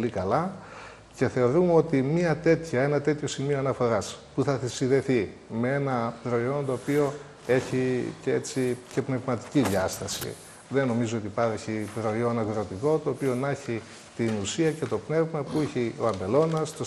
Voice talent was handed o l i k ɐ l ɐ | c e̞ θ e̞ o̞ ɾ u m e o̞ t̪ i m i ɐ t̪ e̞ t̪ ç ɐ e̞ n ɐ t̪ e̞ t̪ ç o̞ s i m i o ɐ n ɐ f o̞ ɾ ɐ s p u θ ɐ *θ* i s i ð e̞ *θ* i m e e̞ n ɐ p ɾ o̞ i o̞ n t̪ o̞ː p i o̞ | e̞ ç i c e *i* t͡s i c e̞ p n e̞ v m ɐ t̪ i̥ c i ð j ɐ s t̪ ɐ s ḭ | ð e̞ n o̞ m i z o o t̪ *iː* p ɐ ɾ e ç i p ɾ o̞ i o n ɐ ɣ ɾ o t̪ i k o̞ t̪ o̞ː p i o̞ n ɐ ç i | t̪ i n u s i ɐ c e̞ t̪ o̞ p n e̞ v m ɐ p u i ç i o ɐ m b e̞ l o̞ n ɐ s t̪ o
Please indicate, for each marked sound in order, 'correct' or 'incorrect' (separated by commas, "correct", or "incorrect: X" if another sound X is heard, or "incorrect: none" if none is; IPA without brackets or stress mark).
correct, correct, incorrect: e, incorrect: i